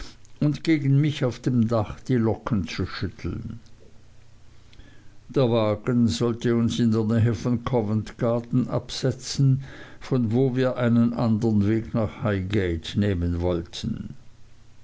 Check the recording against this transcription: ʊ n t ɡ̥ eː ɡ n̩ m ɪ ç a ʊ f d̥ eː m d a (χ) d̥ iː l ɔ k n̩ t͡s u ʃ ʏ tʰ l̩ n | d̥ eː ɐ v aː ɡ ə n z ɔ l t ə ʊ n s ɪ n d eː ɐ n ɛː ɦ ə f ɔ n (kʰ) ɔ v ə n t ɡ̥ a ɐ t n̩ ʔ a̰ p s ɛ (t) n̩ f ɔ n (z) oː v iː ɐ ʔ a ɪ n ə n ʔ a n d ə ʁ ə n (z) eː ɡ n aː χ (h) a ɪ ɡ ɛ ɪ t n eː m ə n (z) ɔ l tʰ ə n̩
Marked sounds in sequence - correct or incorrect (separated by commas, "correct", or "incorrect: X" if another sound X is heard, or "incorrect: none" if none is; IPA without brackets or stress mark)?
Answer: correct, correct, incorrect: t͡s, incorrect: v, incorrect: v, correct, incorrect: v